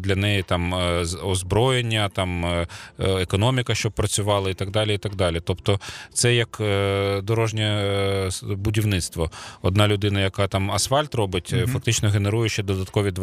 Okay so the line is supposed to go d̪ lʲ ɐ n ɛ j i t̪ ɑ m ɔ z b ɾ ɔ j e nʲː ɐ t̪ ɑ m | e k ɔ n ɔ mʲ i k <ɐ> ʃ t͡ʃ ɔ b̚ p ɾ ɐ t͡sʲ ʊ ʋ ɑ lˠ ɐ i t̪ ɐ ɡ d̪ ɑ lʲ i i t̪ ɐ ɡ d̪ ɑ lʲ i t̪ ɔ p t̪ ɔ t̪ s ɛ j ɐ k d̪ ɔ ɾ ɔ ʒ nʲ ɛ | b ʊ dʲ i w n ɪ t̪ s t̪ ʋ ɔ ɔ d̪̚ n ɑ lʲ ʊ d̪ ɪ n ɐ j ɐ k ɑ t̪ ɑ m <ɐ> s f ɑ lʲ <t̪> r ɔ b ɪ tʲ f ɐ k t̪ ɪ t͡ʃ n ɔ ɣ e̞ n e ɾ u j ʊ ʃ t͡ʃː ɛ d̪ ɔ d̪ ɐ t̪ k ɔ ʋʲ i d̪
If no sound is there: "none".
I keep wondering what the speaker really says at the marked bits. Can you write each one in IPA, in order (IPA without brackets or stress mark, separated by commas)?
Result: ɐ, ɐ, t̪